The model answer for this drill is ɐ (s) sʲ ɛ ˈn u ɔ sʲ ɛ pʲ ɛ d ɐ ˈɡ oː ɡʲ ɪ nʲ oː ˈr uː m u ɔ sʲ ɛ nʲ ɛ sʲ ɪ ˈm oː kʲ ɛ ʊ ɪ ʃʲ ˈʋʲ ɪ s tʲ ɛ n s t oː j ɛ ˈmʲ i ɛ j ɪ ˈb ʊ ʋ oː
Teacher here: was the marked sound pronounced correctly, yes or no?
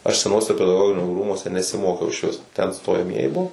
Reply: no